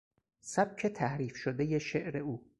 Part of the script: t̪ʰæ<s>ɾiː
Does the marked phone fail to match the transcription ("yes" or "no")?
yes